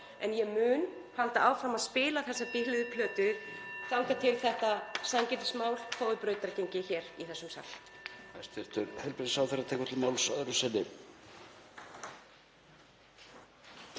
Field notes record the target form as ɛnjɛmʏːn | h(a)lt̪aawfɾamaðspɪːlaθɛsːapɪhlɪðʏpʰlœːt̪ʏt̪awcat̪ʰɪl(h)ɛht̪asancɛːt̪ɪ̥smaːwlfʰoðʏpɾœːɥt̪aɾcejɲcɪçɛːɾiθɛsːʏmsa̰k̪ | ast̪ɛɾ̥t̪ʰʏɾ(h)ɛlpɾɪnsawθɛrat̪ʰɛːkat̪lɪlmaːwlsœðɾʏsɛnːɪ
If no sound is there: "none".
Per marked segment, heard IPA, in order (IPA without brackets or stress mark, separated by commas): a, θ, h